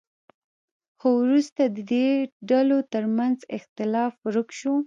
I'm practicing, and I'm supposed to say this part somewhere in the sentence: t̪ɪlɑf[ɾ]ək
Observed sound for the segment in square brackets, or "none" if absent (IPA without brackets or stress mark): ɾ